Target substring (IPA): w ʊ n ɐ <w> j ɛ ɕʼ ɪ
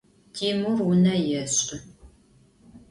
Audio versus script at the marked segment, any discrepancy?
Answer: yes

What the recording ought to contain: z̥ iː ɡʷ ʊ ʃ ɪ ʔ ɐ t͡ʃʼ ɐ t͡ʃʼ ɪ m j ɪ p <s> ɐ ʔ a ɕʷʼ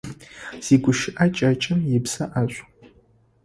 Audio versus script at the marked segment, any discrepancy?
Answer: no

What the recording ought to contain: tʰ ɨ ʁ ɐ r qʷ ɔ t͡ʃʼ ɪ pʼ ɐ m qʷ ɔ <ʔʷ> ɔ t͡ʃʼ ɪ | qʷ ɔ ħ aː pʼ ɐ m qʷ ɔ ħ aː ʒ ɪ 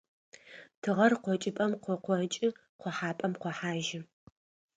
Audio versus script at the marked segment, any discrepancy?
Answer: yes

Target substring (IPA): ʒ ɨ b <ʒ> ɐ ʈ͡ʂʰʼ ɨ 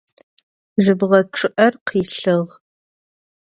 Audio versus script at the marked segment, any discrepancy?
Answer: yes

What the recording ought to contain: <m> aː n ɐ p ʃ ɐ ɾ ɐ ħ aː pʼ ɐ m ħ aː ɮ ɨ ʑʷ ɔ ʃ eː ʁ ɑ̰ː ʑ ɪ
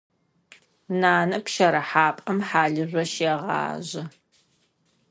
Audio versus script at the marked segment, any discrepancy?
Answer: yes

